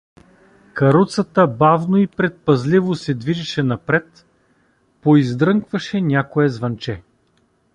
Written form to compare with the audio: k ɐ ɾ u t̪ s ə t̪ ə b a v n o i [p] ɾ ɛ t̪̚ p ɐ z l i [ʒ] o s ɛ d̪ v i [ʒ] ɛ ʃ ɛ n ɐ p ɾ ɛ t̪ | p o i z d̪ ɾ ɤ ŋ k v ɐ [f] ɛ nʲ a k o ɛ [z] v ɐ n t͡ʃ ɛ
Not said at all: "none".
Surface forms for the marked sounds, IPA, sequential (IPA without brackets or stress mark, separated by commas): p, v, ʒ, ʃ, z